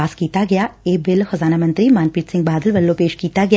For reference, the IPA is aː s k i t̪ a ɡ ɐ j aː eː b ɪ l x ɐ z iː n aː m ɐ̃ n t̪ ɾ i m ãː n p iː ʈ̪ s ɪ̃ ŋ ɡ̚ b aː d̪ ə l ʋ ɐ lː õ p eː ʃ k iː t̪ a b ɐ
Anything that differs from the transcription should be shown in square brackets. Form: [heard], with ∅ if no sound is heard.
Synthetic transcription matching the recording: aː s k [iː] t̪ a ɡ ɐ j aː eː b ɪ l x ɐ z [aː] n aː m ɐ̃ n t̪ ɾ i m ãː n p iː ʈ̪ s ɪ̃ ŋ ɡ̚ b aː d̪ ə l ʋ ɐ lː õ p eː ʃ k iː t̪ a [ɡ] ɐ